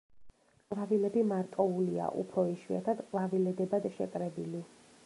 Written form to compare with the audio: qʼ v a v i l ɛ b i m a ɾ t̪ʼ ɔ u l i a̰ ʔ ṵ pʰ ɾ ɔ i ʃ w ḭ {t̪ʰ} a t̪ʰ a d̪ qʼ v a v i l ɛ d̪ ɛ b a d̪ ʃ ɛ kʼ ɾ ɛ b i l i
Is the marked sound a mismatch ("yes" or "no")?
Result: yes